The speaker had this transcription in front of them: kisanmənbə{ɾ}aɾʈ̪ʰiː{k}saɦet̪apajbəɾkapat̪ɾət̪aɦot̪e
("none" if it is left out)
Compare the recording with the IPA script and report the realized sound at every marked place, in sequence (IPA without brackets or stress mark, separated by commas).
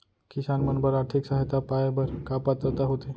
ɾ, k